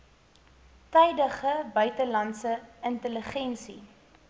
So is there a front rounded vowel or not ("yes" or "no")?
yes